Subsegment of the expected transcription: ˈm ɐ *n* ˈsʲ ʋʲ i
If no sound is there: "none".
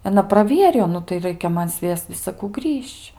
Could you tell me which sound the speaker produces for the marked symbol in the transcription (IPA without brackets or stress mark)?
n